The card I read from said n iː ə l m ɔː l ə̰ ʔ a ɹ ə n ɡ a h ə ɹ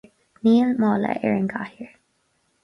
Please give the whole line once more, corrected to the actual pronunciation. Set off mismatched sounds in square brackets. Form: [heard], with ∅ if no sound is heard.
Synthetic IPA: n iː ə l m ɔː l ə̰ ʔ [ɛ] ɹ ə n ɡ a h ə ɹ